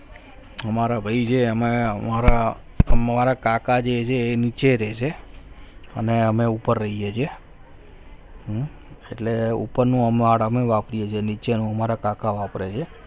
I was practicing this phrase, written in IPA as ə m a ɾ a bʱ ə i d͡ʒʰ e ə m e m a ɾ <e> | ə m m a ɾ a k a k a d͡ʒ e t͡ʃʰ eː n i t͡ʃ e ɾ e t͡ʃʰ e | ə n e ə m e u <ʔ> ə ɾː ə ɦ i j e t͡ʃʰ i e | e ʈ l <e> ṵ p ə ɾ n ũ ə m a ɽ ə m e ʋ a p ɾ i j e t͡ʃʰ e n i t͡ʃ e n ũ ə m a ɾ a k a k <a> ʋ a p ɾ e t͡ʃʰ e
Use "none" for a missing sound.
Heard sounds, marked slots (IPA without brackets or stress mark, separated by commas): a, p, e, a